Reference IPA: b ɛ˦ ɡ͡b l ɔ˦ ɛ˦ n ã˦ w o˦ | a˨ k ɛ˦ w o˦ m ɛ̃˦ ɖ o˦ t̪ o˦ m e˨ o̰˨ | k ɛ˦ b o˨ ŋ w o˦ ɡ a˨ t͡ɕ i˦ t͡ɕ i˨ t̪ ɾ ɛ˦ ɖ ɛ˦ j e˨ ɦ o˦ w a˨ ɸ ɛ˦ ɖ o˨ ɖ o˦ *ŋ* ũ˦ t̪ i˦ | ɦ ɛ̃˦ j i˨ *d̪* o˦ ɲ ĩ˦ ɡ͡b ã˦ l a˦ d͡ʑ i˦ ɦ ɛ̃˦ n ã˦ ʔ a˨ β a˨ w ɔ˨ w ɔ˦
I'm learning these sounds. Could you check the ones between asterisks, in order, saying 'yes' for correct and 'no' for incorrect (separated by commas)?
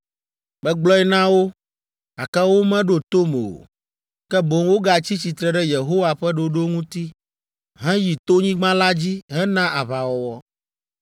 yes, no